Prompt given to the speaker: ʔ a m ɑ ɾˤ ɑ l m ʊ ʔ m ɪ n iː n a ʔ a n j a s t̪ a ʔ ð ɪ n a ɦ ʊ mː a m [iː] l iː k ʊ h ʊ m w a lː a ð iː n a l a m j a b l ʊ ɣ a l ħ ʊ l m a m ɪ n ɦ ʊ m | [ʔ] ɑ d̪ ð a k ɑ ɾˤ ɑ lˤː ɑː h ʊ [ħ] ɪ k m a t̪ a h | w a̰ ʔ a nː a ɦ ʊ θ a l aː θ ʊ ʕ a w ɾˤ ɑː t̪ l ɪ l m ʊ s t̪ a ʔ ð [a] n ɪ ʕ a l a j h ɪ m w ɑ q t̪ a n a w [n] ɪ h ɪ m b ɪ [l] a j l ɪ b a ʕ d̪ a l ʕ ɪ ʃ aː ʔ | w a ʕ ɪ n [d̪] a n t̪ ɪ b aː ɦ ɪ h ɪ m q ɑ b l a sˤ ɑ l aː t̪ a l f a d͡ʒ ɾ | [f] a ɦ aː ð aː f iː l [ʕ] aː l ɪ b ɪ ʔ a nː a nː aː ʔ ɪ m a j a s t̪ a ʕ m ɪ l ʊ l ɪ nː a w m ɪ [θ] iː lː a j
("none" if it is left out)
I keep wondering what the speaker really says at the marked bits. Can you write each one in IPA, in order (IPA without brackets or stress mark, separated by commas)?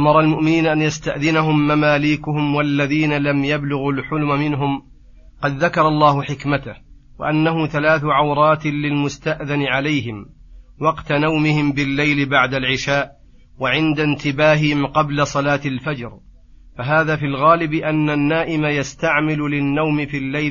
aː, q, ħ, a, m, lː, d̪, f, ɣ, f